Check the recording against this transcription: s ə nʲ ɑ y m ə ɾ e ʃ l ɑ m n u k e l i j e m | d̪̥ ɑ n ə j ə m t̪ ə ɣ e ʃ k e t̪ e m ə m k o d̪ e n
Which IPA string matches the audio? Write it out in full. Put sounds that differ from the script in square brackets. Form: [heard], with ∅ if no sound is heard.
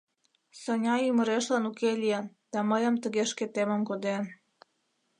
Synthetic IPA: s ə nʲ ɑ y m ə ɾ e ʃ l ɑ [∅] n u k e l i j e [n] | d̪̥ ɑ [m] ə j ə m t̪ ə ɣ e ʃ k e t̪ e m ə m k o d̪ e n